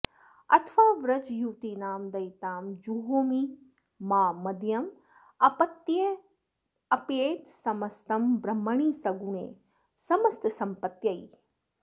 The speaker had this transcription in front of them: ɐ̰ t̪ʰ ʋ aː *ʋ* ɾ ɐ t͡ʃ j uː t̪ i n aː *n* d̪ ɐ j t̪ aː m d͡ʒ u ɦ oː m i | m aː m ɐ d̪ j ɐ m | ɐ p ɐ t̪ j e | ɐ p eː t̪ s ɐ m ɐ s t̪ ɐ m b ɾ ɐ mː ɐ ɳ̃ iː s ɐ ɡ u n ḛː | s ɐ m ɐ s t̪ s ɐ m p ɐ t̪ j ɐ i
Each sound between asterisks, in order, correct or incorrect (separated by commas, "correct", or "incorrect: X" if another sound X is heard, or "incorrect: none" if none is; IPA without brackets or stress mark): correct, incorrect: m